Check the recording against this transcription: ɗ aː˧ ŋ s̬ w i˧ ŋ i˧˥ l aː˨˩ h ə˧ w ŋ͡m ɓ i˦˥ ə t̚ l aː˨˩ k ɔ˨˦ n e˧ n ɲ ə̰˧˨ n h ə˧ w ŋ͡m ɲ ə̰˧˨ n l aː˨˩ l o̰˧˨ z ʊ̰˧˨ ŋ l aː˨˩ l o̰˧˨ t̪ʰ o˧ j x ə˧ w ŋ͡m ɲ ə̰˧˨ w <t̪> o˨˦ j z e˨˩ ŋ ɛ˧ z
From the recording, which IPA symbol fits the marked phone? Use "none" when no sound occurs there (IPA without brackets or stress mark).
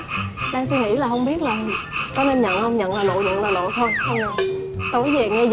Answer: t̪